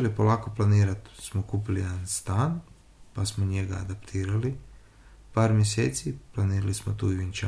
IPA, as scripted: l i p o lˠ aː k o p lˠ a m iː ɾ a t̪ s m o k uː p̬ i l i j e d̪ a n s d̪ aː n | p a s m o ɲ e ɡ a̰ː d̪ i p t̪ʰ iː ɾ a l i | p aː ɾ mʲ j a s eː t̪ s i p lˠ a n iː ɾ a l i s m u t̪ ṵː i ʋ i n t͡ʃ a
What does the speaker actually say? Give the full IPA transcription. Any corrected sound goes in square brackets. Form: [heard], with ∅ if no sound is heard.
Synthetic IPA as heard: l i p o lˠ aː k o p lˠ a [n] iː ɾ a t̪ s m o k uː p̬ i l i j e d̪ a n s [t̪] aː n | p a s m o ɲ e ɡ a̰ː d̪ [a] p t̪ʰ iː ɾ a l i | p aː ɾ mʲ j [e] s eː t̪ s i p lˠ a n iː ɾ a l i s m [o] t̪ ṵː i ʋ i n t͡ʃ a